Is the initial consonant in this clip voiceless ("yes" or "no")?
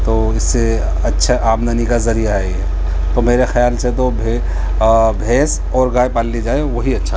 yes